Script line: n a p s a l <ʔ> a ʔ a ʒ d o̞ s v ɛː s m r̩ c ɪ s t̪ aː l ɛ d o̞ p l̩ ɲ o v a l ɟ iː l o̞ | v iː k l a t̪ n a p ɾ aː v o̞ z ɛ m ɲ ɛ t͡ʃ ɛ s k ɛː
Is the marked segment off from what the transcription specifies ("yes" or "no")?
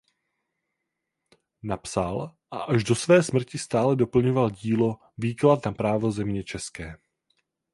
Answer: no